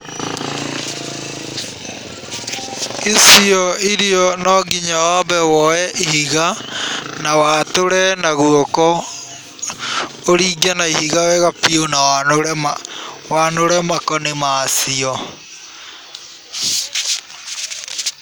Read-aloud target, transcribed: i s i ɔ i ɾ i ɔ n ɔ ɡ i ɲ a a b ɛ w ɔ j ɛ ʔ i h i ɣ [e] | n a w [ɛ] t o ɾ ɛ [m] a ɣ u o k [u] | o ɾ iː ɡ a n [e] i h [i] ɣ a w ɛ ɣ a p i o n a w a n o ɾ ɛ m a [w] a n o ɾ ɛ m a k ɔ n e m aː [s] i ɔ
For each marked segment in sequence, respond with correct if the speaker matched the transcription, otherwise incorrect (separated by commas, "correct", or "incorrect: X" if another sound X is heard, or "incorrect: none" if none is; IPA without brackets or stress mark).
incorrect: a, incorrect: a, incorrect: n, incorrect: ɔ, incorrect: a, correct, correct, correct